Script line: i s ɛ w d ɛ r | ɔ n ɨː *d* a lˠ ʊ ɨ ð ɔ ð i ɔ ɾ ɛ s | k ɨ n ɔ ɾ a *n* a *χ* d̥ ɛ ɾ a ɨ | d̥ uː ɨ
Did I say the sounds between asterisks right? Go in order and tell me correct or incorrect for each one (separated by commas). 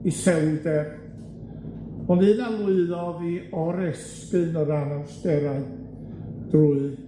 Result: incorrect, correct, incorrect